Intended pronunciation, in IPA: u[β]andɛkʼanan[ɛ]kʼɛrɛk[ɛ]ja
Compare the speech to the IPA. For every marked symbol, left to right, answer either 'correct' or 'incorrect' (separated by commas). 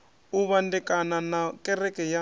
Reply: correct, incorrect, correct